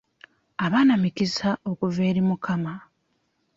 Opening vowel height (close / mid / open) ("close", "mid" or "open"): open